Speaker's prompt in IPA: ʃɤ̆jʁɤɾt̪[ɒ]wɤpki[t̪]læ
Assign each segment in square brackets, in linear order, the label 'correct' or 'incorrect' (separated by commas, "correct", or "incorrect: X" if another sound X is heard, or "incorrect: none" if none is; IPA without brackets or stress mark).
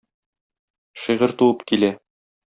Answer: incorrect: u, incorrect: none